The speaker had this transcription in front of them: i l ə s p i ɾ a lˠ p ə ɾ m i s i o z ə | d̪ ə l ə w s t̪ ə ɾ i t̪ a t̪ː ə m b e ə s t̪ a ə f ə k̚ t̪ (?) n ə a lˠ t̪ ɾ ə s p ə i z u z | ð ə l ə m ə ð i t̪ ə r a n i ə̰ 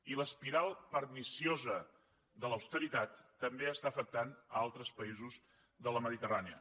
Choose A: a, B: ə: A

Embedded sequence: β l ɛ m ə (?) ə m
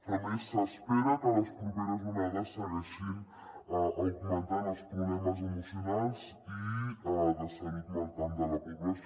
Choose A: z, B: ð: A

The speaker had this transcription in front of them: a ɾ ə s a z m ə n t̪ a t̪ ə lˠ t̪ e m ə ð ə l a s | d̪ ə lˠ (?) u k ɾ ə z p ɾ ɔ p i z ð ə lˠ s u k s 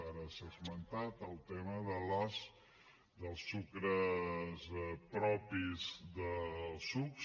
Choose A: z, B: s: B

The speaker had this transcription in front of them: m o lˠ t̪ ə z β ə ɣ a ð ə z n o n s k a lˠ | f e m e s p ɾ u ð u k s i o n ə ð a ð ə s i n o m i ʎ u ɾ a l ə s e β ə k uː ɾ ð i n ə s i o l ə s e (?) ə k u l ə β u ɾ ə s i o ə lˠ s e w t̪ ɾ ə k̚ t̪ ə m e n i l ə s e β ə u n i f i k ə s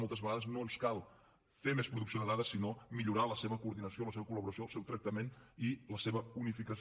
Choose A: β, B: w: A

